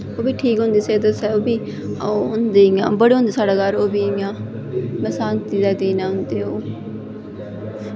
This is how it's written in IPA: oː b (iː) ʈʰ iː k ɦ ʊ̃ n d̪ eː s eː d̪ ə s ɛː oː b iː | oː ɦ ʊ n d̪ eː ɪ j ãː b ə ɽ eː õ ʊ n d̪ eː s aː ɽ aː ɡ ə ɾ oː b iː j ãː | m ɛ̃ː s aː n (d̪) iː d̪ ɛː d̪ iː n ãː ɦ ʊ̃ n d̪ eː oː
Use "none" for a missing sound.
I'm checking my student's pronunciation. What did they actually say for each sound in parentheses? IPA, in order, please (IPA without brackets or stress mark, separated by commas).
iː, t̪